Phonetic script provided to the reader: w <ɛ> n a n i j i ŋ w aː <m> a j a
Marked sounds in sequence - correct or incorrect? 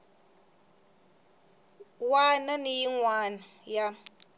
incorrect: a, incorrect: n

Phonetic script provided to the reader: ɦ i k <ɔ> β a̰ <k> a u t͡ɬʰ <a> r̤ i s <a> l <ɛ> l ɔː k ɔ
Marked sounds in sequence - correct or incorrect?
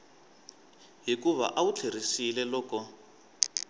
incorrect: u, incorrect: ʔ, incorrect: e, incorrect: i, correct

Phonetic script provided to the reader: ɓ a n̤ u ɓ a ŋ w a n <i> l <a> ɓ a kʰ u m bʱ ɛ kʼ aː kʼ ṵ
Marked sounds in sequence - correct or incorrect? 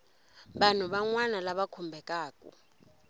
incorrect: a, correct

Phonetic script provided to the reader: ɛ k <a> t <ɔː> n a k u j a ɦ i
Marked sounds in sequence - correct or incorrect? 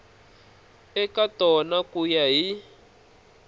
correct, incorrect: ɔ

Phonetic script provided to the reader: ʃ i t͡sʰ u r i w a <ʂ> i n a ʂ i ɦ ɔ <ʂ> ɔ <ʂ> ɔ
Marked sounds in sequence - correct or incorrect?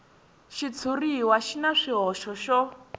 incorrect: ʃ, incorrect: ʃ, incorrect: ʃ

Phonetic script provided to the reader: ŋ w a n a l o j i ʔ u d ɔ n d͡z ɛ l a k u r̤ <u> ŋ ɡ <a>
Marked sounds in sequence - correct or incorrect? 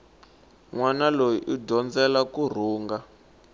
incorrect: uː, correct

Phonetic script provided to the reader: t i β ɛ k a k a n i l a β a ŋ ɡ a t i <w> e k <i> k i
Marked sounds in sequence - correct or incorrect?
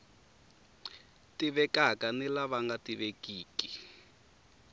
incorrect: β, incorrect: iː

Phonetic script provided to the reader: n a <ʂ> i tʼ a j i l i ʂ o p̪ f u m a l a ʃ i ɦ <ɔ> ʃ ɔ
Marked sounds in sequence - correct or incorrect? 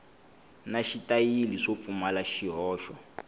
incorrect: ʃ, incorrect: ɔː

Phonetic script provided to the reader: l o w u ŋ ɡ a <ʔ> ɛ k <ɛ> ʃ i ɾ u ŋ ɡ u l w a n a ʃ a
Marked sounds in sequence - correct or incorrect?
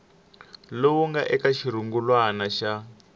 correct, incorrect: a

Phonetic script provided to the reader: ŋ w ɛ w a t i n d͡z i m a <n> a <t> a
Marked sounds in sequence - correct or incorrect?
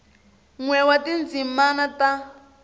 correct, correct

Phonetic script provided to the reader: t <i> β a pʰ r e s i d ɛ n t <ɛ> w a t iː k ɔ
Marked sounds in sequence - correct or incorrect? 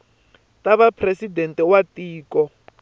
incorrect: a, correct

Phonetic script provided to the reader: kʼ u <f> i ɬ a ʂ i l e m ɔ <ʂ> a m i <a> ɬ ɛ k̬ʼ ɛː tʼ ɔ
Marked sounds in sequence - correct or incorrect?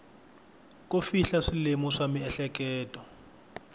correct, correct, incorrect: ɛ

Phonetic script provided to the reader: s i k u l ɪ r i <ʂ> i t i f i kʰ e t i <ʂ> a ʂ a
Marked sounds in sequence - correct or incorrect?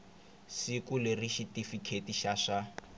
incorrect: ʃ, incorrect: ʃ

